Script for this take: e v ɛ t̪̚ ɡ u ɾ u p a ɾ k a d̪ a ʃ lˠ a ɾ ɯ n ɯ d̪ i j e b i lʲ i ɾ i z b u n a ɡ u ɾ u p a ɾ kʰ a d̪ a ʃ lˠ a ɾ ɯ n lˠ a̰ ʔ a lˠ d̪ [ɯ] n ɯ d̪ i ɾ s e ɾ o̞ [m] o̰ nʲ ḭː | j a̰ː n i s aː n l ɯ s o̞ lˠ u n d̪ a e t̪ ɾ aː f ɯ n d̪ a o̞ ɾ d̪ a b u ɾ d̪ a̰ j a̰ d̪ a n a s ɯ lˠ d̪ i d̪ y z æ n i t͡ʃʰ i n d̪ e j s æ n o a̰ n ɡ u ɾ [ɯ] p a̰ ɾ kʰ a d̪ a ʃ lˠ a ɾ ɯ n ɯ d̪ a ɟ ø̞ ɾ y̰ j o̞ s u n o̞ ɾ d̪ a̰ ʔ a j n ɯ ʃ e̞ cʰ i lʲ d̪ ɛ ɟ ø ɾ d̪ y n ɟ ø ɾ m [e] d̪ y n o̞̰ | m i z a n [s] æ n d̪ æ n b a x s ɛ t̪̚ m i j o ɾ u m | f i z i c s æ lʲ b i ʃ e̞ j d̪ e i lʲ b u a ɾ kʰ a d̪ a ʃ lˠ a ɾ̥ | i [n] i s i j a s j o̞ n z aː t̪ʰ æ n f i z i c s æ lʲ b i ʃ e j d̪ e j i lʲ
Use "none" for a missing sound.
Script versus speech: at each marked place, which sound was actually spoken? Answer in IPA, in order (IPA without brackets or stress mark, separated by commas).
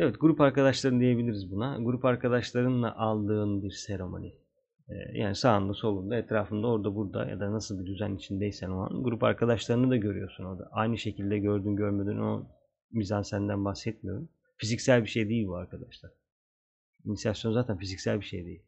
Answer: ɯː, m, u, e, s, n